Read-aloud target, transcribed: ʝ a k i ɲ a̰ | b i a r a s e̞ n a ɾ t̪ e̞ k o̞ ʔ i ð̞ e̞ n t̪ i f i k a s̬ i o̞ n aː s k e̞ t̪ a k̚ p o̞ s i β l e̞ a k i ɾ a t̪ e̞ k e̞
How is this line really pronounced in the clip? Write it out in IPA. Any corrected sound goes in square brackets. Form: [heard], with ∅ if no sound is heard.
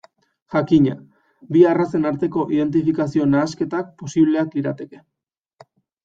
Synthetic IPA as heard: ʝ a k i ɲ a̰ | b i a r a s e̞ n a ɾ t̪ e̞ k o̞ ʔ i ð̞ e̞ n t̪ i f i k a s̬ i o̞ n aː s k e̞ t̪ a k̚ p o̞ s i β l e̞ a k i ɾ a t̪ e̞ k e̞